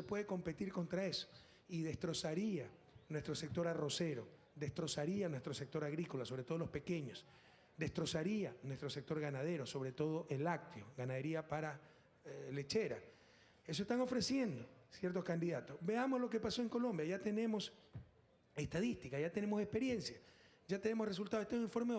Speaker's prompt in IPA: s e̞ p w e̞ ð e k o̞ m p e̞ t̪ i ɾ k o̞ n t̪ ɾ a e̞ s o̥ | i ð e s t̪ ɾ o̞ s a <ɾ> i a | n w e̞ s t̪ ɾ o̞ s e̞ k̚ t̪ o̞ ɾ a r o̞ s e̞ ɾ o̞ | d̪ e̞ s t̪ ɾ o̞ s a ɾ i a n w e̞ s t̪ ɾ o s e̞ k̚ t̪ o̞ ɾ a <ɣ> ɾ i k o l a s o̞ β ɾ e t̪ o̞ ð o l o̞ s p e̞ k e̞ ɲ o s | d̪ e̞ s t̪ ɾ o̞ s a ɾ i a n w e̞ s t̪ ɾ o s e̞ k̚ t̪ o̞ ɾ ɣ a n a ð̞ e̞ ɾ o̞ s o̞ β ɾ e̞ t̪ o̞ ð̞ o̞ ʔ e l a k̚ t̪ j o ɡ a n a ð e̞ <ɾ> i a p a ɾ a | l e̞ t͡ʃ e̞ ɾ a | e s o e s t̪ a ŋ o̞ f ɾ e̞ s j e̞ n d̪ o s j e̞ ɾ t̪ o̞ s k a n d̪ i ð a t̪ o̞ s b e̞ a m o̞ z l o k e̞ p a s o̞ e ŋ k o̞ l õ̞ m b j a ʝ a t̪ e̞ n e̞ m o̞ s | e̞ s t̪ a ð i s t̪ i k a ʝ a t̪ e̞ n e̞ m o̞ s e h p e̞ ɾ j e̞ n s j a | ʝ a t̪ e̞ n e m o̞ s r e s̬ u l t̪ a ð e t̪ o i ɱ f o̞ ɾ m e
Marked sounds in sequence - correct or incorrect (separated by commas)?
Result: correct, correct, correct